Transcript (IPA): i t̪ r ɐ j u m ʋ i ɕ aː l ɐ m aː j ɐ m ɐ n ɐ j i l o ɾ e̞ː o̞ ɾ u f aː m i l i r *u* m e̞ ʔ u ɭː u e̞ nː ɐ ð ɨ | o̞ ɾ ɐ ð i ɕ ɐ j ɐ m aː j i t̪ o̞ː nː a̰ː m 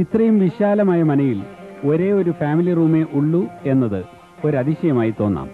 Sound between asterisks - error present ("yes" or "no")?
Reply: yes